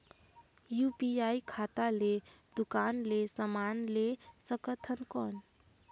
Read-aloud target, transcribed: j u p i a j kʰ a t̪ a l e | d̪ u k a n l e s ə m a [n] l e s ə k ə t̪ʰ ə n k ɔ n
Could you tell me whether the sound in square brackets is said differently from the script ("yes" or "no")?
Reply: no